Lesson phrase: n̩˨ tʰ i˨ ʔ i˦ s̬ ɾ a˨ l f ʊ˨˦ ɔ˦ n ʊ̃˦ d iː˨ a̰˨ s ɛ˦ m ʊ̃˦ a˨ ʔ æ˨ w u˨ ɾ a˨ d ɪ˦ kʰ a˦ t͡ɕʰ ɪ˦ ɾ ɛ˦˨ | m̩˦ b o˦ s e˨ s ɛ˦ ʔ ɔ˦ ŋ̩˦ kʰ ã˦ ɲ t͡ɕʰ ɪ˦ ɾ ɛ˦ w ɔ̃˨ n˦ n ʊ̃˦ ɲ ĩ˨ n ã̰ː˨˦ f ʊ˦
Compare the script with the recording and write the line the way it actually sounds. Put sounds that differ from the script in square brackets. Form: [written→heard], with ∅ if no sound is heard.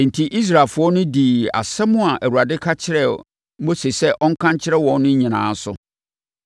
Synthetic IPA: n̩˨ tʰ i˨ ʔ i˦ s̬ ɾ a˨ l f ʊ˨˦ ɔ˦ n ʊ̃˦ d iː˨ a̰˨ s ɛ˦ m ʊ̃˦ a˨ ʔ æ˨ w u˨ ɾ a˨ d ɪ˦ kʰ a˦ t͡ɕʰ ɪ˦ ɾ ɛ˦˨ | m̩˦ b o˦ s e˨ s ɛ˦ ʔ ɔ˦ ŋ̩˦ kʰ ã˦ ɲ t͡ɕʰ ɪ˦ ɾ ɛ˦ w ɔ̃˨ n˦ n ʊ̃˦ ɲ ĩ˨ n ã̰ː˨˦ [f→s] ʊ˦